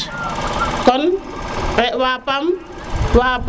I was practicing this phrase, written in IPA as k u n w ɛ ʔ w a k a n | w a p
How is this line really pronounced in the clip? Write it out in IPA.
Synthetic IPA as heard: k ɔ n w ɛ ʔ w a p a m | w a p